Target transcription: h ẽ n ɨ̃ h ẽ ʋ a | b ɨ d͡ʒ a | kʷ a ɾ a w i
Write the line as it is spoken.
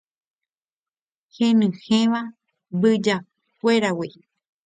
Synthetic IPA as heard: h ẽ n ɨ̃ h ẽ ʋ a | b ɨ d͡ʒ a | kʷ e ɾ a w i